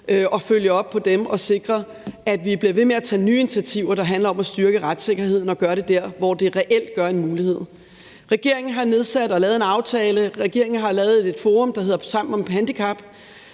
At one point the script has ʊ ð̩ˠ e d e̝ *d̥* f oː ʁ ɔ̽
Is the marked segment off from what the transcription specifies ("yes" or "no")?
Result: no